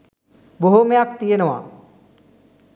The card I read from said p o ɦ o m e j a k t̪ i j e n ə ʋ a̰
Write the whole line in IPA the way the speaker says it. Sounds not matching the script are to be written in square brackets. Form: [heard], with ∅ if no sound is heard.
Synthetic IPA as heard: [b] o ɦ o m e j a k t̪ i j e n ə ʋ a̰